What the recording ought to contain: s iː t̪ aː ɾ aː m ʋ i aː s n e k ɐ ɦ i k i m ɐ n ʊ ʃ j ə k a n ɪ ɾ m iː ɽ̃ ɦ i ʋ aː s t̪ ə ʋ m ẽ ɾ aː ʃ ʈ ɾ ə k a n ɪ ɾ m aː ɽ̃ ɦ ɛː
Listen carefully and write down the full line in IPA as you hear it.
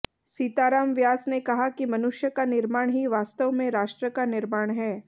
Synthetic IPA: s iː t̪ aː ɾ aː m ʋ j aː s n e k ɐ ɦ a k i m ɐ n ʊ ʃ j ə k a n ɪ ɾ m aː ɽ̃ ɦ i ʋ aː s t̪ ə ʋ m ẽ ɾ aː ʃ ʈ ɾ ə k a n ɪ ɾ m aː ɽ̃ ɦ ɛː